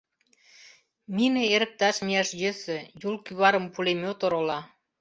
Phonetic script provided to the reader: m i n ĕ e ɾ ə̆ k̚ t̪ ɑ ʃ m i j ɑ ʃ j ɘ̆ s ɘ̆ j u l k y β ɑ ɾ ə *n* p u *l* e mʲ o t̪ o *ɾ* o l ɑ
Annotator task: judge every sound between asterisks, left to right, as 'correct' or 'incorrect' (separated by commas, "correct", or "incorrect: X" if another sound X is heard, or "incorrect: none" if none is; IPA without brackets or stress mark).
incorrect: m, correct, correct